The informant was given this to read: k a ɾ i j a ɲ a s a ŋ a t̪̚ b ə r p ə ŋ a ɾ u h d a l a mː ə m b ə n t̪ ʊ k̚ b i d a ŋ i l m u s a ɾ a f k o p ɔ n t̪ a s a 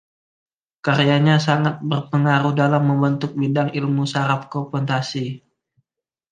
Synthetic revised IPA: k a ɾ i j a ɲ a s a ŋ a t̪̚ b ə r p ə ŋ a ɾ u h d a l a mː ə m b ə n t̪ ʊ k̚ b i d a ŋ i l m u s a ɾ a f k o p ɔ n t̪ a s i